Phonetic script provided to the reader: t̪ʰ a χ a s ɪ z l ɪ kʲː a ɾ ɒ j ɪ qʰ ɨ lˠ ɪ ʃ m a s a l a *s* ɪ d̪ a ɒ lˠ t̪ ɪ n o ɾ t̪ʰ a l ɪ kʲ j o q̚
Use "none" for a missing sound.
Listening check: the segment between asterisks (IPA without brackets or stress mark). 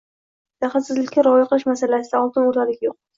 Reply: s